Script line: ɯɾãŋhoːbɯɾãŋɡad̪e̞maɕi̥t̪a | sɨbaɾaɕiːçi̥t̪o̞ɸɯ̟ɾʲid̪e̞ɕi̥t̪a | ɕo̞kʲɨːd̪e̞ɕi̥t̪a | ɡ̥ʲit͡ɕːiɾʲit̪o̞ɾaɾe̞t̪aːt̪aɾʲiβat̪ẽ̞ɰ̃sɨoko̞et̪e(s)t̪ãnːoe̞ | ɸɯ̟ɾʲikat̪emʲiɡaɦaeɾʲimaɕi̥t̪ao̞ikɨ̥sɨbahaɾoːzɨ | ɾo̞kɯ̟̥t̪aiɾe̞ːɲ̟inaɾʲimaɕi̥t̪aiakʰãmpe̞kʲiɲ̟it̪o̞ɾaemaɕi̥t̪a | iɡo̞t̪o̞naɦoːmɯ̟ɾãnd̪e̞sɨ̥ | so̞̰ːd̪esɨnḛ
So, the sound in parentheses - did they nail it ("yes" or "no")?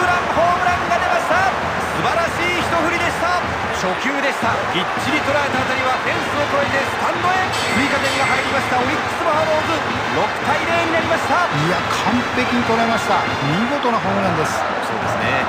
yes